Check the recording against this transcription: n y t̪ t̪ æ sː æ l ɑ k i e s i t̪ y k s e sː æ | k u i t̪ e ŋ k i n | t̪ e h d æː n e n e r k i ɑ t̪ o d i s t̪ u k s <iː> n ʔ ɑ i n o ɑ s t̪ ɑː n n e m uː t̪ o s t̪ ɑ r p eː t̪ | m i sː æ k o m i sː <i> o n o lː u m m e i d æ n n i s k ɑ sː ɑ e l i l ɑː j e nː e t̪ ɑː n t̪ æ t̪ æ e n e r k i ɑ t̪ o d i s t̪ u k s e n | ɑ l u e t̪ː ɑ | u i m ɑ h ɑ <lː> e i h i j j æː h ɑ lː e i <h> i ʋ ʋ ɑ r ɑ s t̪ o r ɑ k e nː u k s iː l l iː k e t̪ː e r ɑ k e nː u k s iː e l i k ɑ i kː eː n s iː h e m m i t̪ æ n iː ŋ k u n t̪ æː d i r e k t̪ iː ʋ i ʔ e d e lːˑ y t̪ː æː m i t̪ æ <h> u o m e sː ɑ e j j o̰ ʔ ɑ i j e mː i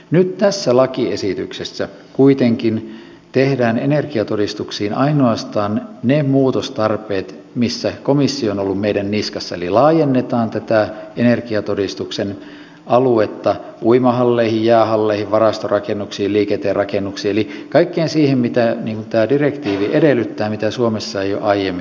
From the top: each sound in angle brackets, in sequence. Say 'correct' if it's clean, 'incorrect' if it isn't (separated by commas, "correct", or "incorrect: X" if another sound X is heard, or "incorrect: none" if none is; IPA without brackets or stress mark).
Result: correct, correct, correct, correct, incorrect: s